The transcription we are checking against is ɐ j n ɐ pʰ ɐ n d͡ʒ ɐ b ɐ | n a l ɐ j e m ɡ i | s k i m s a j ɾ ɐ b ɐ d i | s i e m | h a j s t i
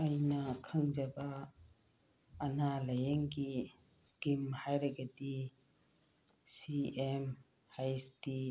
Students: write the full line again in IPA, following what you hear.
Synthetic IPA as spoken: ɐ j n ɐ kʰ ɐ ŋ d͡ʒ ɐ b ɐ | n a l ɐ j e ŋ ɡ i | s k i m h a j ɾ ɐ ɡ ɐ d i | s i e m | h a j s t i